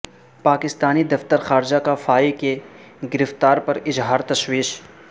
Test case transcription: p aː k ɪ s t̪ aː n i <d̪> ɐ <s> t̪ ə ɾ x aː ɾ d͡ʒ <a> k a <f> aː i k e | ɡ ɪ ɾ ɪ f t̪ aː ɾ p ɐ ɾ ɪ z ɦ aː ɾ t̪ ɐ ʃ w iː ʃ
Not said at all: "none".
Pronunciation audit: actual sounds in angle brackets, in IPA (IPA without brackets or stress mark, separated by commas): d̪, f, a, f